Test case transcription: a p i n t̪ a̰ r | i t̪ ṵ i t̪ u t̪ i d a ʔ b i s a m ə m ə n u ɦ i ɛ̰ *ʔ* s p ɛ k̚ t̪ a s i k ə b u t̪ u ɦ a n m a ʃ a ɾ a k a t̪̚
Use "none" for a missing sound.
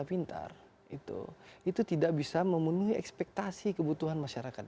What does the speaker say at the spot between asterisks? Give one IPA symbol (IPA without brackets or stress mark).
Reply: k